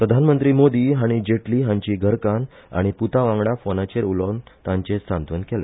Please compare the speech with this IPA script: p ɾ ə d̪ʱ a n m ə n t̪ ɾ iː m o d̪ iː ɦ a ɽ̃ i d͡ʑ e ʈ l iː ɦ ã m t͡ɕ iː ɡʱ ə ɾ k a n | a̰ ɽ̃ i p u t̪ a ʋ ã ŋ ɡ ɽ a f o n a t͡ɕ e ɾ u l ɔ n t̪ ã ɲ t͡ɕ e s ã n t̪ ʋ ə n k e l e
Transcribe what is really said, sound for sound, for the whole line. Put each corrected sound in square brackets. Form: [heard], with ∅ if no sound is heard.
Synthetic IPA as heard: p ɾ ə d̪ʱ a n m ə n t̪ ɾ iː m o d̪ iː ɦ a ɽ̃ i d͡ʑ e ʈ l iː ɦ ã [ɲ] t͡ɕ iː ɡʱ ə ɾ k a n | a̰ ɽ̃ i p u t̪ a ʋ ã ŋ ɡ ɽ a f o n a t͡ɕ e ɾ u l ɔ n t̪ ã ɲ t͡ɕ e s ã n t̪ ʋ ə n k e l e